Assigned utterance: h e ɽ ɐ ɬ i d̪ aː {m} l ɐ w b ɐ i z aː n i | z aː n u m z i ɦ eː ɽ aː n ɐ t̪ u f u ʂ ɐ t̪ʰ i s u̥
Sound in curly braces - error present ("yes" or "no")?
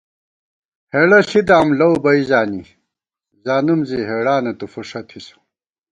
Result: no